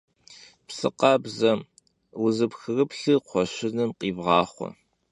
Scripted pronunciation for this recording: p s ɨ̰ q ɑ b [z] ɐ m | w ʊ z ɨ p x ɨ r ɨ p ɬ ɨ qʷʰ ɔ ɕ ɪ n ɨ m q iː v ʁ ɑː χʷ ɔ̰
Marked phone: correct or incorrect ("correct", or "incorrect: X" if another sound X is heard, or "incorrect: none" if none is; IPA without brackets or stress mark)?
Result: correct